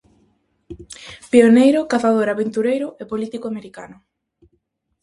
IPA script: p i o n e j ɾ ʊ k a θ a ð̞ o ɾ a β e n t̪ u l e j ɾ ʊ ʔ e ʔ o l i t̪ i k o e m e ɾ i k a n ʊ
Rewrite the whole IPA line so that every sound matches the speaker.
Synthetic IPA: p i o n e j ɾ ʊ k a θ a ð̞ o ɾ a β e n t̪ u ɾ e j ɾ ʊ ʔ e p o l i t̪ i k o a m e ɾ i k a n ʊ